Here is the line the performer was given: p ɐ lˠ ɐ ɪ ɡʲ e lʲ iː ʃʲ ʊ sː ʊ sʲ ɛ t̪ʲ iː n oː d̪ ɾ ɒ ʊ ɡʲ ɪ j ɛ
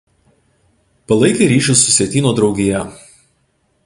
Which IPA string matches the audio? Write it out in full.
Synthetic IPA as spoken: p ɐ lˠ ɐ ɪ kʲ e ɾʲ iː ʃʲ ʊ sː ʊ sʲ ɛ t̪ʲ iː n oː d̪ ɾ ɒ ʊ ɡʲ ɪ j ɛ

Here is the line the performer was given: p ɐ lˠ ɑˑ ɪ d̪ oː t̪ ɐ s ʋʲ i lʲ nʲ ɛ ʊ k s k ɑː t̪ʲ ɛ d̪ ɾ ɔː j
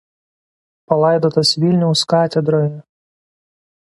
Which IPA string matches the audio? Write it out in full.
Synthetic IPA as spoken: p ɐ lˠ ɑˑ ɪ d̪ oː t̪ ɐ s ʋʲ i lʲ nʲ ɛ ʊ s k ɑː t̪ʲ ɛ d̪ ɾ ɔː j

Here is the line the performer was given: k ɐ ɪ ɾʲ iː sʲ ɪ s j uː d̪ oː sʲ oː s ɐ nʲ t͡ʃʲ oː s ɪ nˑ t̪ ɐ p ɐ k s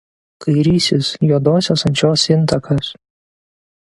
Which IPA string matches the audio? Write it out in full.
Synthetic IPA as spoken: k ɐ ɪ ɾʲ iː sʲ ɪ s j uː d̪ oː sʲ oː s ɐ nʲ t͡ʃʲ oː s ɪ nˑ t̪ ɐ k ɐ s

